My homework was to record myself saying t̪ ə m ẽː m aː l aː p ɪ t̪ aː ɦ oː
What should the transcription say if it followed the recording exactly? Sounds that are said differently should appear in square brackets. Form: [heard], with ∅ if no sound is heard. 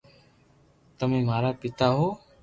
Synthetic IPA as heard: t̪ ə m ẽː m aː [ɾ] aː p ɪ t̪ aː ɦ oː